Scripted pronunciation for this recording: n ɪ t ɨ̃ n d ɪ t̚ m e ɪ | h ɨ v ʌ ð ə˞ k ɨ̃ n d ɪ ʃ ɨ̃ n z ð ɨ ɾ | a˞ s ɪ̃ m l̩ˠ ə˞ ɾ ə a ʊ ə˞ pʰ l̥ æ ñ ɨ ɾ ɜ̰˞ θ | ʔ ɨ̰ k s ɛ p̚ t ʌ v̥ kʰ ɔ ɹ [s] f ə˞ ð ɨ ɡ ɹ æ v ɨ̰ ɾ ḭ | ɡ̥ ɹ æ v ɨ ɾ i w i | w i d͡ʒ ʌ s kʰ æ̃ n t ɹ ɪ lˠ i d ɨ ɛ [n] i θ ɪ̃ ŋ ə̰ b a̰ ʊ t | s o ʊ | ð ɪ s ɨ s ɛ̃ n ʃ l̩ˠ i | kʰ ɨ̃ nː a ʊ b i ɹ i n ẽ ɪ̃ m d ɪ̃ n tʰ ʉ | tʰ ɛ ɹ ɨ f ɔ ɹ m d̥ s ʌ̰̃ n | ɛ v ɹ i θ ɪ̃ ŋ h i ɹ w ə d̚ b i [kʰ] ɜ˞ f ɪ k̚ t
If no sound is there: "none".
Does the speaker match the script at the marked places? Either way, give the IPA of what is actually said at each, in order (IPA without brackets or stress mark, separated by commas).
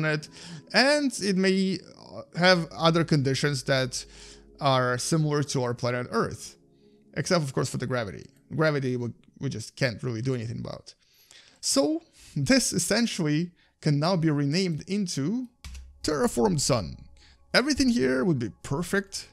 s, n, pʰ